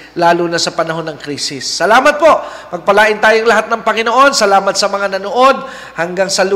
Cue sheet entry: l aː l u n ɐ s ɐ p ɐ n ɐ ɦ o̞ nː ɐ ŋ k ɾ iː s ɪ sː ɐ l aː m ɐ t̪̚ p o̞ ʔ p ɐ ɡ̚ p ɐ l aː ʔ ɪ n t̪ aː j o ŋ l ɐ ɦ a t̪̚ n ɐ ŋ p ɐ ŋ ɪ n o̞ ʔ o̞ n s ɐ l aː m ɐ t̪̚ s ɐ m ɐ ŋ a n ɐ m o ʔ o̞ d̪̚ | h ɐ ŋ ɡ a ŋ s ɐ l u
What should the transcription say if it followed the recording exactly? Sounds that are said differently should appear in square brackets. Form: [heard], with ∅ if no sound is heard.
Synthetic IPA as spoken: l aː l u n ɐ s ɐ p ɐ n ɐ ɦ o̞ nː ɐ ŋ k ɾ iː s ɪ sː ɐ l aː m ɐ t̪̚ p o̞ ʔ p ɐ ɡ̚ p ɐ l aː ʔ ɪ n t̪ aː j o ŋ l ɐ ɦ a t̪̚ n ɐ ŋ p ɐ ŋ ɪ n o̞ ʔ o̞ n s ɐ l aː m ɐ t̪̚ s ɐ m ɐ ŋ a n ɐ [n] o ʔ o̞ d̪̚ | h ɐ ŋ ɡ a ŋ s ɐ l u